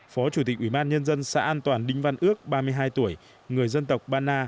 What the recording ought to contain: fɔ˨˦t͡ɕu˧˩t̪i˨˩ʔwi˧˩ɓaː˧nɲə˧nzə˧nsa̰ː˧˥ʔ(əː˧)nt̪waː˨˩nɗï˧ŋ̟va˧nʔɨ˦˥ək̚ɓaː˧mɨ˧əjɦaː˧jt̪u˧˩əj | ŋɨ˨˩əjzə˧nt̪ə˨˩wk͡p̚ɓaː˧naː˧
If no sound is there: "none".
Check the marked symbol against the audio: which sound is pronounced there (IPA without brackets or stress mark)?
aː˧